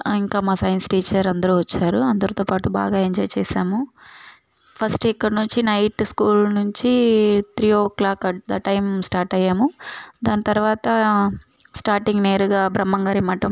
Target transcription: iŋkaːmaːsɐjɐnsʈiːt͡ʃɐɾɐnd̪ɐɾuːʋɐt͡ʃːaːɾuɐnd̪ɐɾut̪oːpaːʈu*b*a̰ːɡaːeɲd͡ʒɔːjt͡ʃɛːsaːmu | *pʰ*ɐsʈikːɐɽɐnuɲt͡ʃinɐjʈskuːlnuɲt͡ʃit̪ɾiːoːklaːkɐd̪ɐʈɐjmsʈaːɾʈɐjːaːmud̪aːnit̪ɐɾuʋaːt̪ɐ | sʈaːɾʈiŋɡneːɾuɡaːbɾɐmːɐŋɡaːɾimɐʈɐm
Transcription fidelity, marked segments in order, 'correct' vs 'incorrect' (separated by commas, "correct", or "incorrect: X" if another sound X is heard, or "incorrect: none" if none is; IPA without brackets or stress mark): correct, correct